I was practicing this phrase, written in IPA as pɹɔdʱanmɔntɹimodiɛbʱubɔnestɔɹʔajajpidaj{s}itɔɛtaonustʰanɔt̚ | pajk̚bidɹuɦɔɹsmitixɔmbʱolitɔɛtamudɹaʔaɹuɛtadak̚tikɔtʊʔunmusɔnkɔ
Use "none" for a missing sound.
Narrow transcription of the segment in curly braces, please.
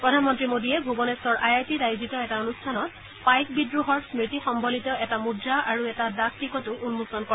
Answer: z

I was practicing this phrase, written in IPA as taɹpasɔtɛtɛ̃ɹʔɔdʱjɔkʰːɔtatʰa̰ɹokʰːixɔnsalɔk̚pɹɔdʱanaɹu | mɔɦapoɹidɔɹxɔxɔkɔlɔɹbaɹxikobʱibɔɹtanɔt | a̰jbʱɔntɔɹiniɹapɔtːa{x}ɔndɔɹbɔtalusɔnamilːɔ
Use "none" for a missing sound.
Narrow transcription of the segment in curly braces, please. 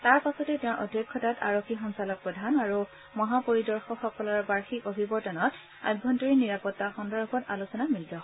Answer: x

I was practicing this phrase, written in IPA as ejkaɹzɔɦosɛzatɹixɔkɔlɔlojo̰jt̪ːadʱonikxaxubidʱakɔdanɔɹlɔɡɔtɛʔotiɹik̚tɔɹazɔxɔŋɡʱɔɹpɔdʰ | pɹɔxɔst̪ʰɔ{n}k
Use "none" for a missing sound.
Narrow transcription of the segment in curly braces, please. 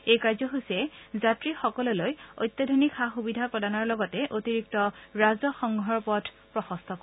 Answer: none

